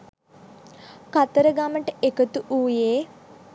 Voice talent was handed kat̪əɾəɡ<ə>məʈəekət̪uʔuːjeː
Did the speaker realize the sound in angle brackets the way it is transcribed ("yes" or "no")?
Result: no